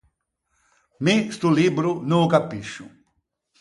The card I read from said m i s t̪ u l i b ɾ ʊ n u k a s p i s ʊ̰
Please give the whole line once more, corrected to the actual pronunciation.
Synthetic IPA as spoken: m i s t̪ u l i b ɾ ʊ n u k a p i ʃ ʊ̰